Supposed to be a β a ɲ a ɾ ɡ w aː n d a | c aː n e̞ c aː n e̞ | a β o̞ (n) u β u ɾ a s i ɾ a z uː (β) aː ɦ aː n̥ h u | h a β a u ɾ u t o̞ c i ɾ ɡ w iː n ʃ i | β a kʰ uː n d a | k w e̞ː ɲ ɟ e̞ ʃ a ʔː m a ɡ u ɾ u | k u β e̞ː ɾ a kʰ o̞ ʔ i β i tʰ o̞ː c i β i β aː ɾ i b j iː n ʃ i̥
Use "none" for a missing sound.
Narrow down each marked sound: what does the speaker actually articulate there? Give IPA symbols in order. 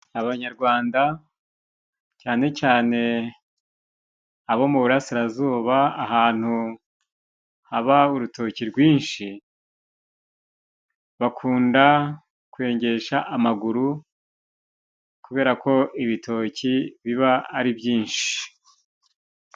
m, β

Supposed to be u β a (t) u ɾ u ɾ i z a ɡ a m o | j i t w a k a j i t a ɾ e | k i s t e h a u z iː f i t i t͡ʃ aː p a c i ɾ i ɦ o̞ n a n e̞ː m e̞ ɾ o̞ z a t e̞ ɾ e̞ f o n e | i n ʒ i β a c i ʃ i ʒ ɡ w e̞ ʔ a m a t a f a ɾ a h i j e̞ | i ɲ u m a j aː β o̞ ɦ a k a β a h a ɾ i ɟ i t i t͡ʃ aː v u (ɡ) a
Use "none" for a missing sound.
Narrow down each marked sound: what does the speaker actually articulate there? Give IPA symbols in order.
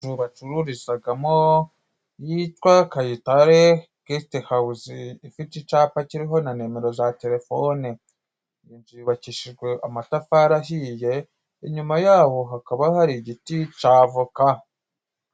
t͡ʃ, k

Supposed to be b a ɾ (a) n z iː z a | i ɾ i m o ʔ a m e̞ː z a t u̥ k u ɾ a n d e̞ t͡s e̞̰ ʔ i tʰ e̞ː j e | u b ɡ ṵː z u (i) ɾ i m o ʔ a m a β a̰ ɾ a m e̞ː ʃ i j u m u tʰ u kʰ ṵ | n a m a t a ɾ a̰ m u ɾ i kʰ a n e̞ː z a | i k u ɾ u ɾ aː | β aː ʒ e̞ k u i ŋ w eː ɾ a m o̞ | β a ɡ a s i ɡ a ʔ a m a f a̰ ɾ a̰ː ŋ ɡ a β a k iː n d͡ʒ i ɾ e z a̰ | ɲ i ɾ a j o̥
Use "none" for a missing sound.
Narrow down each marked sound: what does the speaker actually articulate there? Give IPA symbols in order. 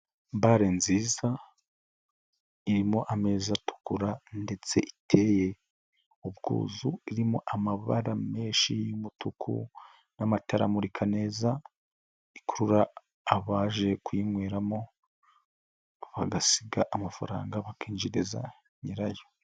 e, i

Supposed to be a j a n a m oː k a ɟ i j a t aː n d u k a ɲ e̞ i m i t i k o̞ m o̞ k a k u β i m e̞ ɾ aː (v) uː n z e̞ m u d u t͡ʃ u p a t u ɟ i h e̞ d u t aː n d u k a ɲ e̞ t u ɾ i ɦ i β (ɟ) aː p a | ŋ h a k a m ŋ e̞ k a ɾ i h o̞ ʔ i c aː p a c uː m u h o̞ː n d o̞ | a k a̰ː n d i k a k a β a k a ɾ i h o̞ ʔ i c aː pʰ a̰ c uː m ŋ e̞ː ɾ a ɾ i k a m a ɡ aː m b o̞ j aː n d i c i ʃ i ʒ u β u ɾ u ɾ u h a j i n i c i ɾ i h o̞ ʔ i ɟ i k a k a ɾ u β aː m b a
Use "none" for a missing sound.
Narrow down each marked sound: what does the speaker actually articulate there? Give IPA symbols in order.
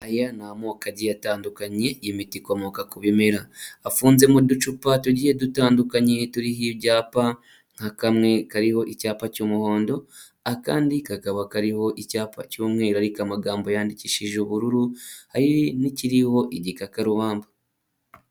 f, ɟ

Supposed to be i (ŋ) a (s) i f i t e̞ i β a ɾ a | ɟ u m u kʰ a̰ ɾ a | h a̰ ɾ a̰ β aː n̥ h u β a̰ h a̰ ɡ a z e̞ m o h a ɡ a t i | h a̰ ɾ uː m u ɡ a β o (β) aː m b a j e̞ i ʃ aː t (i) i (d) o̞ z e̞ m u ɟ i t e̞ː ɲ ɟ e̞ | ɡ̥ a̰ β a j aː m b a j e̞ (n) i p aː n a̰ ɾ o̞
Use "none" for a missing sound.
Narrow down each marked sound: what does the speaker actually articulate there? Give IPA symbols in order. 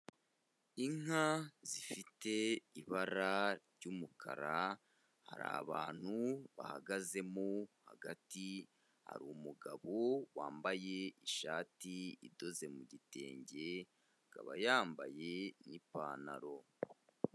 ŋ, z, w, i, d, n

